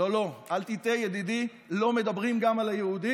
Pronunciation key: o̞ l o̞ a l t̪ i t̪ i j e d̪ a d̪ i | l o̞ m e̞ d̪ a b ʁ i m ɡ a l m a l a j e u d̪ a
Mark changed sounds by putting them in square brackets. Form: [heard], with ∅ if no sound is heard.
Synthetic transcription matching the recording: o̞ l o̞ a l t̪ i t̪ [e] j e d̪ [i] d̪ i | l o̞ m e̞ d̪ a b ʁ i m ɡ a [∅] m a l a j e u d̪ [i]